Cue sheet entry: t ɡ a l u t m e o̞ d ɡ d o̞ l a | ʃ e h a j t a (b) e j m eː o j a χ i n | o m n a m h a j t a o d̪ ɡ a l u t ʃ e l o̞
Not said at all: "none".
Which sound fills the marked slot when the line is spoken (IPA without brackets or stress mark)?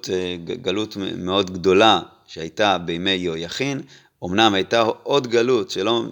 b